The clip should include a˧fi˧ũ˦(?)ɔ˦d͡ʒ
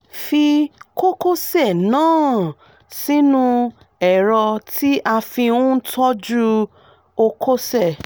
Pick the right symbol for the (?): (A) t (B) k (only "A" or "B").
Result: A